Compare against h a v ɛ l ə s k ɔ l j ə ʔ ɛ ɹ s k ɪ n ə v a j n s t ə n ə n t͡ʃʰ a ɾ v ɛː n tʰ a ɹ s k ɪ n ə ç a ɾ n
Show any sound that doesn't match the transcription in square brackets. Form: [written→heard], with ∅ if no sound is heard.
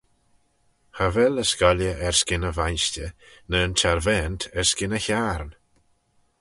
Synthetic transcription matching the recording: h a v ɛ l ə s k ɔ l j ə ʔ ɛ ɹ s k ɪ n ə v a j n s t ə n ə n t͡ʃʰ a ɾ v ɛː n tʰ [a→ɛ] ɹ s k ɪ n ə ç a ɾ n